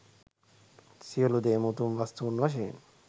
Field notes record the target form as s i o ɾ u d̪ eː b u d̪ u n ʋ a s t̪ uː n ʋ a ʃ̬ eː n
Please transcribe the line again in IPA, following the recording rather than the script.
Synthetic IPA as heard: s i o l u d̪ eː m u t̪ u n ʋ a s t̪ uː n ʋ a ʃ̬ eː n